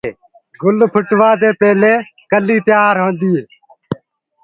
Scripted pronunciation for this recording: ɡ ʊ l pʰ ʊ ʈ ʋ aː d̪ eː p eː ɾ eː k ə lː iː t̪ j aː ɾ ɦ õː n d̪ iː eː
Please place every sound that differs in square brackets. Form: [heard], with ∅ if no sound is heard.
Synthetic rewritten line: ɡ ʊ l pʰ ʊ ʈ ʋ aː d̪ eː p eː [l] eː k ə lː iː t̪ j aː ɾ ɦ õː n d̪ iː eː